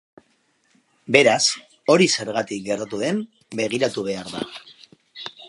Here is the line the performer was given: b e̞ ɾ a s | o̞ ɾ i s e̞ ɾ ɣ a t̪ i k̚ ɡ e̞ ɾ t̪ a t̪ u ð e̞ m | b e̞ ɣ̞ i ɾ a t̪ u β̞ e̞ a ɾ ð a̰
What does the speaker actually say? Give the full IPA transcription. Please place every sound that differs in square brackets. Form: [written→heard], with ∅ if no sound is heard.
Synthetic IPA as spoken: b e̞ ɾ a s | o̞ ɾ i s e̞ ɾ ɣ a t̪ i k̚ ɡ e̞ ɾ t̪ a t̪ u ð e̞ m | b e̞ ɣ̞ i ɾ a t̪ u β̞ e̞ a ɾ ð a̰